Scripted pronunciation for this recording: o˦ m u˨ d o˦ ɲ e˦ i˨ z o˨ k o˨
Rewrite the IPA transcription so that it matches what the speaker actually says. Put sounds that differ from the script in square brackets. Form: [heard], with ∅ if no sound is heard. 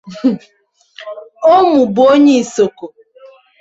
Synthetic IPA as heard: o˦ m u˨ [b] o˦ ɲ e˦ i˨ [s] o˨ k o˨